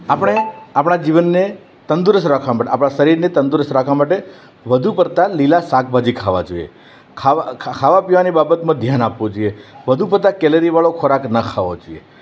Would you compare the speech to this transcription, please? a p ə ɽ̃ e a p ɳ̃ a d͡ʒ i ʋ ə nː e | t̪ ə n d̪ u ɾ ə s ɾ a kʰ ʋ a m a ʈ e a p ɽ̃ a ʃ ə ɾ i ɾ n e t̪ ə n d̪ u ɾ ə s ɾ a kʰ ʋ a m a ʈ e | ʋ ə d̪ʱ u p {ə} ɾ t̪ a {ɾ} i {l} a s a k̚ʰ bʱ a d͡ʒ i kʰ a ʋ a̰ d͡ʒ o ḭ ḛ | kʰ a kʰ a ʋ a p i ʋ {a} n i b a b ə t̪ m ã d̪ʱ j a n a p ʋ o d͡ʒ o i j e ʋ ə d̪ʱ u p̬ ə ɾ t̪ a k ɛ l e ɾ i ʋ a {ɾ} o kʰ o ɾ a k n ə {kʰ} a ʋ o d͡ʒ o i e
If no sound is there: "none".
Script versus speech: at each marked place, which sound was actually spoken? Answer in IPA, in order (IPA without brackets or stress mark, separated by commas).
ə, l, l, a, ɭ, kʰ